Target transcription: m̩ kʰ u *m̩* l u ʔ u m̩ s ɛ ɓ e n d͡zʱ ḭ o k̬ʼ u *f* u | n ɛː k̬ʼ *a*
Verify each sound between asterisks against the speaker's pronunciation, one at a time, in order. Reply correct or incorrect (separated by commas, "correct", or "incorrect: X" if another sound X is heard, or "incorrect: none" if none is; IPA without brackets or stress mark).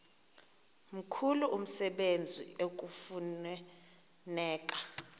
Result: incorrect: none, correct, correct